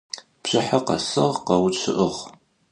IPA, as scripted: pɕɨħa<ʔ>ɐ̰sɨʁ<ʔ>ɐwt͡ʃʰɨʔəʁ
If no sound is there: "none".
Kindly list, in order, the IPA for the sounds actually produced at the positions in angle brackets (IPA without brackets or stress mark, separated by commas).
q, q